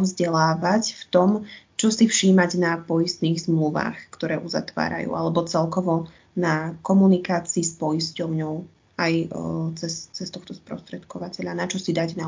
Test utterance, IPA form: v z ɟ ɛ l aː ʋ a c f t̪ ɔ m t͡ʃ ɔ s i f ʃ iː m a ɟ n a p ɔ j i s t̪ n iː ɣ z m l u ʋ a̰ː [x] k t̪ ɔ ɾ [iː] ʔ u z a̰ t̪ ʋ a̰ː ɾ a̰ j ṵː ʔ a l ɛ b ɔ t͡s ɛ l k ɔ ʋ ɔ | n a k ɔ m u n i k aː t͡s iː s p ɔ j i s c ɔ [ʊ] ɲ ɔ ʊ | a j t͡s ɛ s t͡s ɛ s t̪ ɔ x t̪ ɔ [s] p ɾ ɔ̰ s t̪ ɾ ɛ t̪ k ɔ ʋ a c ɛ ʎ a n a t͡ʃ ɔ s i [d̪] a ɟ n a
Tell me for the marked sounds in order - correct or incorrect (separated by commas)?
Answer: correct, incorrect, correct, correct, correct